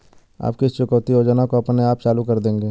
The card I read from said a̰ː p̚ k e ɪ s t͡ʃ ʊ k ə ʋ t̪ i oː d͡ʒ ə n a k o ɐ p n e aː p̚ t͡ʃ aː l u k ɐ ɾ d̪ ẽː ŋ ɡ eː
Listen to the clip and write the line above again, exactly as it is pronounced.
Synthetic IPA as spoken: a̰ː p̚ k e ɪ s t͡ʃ ʊ k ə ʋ t̪ i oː d͡ʒ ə n a k o ɐ p n e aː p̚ t͡ʃ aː l u k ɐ ɾ d̪ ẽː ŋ ɡ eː